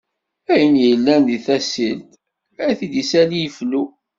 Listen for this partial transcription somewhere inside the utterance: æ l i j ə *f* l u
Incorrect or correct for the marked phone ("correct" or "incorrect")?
correct